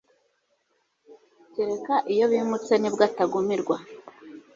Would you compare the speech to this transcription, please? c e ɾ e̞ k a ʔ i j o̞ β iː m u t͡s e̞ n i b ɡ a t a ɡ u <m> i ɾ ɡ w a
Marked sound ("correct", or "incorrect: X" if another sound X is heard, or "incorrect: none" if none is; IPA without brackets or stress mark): correct